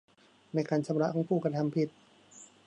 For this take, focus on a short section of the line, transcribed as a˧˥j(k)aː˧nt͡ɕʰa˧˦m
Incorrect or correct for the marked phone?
correct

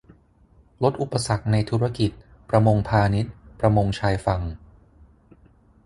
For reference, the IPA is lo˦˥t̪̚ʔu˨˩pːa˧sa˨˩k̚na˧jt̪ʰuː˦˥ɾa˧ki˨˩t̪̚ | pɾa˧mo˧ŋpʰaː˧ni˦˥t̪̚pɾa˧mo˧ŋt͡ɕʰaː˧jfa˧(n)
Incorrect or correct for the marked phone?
incorrect: ŋ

